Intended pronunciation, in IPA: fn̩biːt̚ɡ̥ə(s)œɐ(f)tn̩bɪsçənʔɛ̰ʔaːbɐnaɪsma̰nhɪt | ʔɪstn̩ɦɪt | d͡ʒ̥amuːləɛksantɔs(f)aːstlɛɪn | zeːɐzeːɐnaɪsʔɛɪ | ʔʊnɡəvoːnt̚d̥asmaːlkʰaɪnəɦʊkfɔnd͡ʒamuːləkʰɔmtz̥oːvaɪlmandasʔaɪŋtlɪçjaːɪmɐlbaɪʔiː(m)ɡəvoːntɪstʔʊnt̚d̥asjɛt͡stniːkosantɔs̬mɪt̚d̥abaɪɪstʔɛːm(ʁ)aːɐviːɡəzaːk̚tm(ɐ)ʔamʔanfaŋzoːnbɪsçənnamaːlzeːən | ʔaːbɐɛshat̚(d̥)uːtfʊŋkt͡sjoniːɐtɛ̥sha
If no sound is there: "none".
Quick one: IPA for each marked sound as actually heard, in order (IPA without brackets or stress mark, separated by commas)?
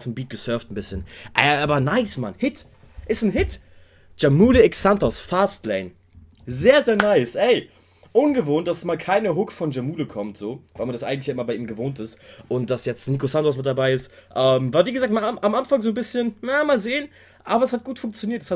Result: s, f, f, m, v, a, ɡ̥